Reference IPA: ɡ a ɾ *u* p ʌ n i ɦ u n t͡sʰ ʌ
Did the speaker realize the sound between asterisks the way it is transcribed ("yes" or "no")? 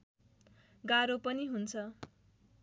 no